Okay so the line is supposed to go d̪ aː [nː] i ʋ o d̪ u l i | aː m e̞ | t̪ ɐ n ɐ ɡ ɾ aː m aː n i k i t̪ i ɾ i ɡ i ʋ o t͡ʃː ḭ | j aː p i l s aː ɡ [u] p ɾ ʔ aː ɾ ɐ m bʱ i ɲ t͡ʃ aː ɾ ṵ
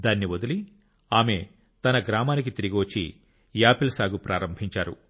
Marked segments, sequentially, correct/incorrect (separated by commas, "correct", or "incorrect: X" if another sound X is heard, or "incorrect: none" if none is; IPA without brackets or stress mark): correct, correct